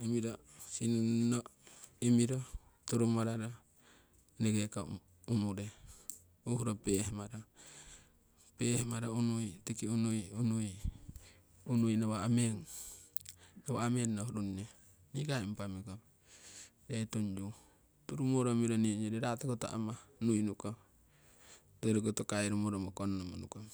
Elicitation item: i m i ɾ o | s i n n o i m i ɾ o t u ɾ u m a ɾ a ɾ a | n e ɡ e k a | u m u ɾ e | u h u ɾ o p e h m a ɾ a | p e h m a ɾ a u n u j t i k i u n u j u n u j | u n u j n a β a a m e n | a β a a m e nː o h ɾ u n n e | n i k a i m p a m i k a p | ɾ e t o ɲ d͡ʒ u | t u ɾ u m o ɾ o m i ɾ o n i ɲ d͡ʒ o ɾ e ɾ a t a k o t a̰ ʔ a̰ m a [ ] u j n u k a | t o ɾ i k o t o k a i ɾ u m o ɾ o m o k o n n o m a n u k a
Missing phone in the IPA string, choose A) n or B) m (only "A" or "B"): A